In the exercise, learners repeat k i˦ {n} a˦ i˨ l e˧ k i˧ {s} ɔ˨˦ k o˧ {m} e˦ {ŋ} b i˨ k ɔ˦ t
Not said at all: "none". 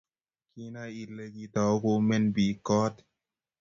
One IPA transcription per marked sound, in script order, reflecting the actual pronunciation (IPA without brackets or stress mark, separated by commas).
n, t, m, n